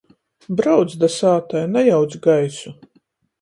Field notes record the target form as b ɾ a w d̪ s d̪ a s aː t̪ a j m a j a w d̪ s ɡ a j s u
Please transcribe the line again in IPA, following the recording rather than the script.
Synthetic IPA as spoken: b ɾ a w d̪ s d̪ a s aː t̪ a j n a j a w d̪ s ɡ a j s u